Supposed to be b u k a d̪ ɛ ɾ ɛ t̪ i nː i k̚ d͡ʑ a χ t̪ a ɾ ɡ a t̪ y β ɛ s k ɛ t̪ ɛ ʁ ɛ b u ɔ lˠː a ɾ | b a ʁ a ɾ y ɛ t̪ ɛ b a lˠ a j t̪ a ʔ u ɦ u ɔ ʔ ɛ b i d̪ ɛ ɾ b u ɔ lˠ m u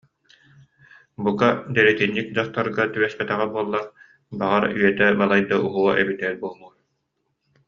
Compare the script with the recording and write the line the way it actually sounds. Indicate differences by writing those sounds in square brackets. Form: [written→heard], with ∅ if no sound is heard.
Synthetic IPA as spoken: b u k a d̪ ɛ ɾ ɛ t̪ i nː i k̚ d͡ʑ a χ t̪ a ɾ ɡ a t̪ y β ɛ s [k→p] ɛ t̪ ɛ ʁ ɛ b u ɔ lˠː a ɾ | b a ʁ a ɾ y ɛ t̪ ɛ b a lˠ a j [t̪→d̪] a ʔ u ɦ u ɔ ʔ ɛ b i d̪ ɛ ɾ b u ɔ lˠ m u